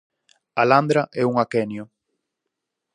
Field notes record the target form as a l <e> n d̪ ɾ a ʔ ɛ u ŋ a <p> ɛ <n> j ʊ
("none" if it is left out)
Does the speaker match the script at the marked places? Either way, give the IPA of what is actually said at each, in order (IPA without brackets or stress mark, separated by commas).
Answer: a, k, n